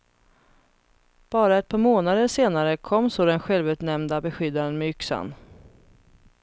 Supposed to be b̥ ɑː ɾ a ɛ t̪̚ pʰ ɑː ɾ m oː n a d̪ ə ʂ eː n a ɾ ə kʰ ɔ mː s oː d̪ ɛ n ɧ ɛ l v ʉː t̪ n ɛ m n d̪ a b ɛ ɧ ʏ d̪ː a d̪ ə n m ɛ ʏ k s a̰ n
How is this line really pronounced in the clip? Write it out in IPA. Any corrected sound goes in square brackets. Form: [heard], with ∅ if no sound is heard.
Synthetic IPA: b̥ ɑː ɾ a ɛ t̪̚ pʰ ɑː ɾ m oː n a d̪ ə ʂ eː n a ɾ ə kʰ ɔ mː s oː d̪ ɛ n ɧ ɛ l v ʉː t̪ n ɛ m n d̪ a b ɛ ɧ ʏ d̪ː a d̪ ə n m ɛ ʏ k s a̰ n